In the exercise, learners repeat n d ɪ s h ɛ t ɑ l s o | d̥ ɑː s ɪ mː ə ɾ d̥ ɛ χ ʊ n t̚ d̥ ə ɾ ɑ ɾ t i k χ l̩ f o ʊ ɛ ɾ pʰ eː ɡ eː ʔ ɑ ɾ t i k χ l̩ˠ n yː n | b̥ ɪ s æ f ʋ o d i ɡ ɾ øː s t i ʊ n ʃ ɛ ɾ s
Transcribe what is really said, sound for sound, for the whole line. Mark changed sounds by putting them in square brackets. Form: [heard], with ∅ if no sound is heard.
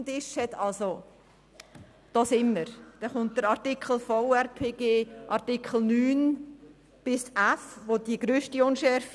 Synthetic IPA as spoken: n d ɪ [ʃ] h ɛ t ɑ l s o | d̥ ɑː s ɪ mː ə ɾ d̥ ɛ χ ʊ n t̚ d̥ ə ɾ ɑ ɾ t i k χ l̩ f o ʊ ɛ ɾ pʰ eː ɡ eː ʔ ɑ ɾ t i k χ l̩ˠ n yː n | b̥ ɪ s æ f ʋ o d i ɡ ɾ øː [ʃ] t i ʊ n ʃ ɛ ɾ [f]